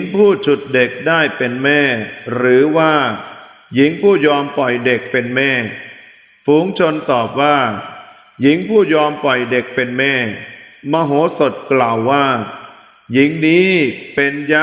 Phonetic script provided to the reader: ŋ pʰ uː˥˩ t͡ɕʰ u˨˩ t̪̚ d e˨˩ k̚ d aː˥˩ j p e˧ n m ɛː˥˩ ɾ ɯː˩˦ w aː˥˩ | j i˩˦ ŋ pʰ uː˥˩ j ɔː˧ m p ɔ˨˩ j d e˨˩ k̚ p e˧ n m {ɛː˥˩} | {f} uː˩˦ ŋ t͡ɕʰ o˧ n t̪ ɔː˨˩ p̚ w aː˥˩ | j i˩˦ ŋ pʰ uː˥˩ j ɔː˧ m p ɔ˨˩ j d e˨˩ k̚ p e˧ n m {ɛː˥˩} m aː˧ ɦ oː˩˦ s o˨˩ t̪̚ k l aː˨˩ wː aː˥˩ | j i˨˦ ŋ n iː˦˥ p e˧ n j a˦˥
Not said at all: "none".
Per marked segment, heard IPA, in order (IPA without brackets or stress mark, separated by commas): ɛː˥˩, f, ɛː˥˩